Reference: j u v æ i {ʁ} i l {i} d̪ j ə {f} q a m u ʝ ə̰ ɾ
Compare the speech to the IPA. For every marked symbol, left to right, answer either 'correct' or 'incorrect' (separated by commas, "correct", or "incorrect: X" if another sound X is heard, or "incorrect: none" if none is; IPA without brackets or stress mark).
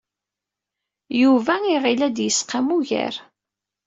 correct, incorrect: æ, incorrect: s